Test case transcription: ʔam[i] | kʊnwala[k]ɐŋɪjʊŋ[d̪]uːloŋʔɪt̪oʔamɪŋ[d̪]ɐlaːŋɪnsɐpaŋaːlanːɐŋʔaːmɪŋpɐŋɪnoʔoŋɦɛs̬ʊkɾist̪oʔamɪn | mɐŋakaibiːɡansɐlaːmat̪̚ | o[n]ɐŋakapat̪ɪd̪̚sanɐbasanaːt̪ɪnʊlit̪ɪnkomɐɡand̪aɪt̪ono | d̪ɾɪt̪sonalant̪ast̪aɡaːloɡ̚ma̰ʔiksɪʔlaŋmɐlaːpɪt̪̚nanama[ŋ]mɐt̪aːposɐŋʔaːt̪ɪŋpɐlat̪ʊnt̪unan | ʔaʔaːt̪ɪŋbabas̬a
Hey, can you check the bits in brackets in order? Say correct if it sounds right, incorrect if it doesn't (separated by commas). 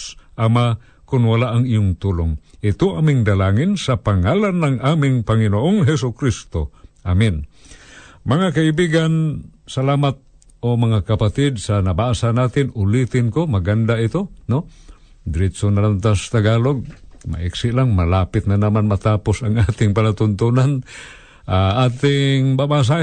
incorrect, incorrect, incorrect, correct, incorrect, incorrect